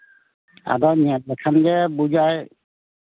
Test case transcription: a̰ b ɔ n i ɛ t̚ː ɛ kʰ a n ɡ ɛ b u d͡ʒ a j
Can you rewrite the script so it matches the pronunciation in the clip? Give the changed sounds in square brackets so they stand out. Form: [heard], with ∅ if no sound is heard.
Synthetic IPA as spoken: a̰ [d] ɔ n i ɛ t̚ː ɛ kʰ a n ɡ ɛ b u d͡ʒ a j